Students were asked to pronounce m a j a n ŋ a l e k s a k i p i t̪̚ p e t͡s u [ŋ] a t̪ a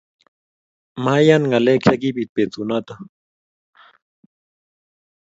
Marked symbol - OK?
no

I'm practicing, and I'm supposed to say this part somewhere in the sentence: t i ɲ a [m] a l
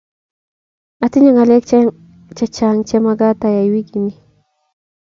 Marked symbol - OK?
no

